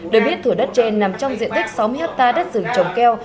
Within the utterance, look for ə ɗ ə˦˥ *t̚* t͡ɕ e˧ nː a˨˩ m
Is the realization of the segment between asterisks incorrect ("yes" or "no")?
no